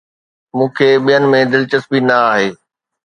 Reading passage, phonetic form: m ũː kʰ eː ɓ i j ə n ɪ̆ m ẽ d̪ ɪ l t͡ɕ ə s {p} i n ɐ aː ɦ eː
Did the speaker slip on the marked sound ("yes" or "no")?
yes